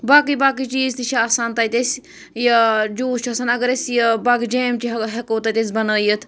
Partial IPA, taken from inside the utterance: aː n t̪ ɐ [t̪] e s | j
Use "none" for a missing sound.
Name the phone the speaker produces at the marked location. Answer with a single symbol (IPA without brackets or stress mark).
t̪